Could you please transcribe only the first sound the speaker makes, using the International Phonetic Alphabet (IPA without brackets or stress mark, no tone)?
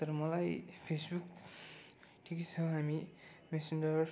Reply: t̪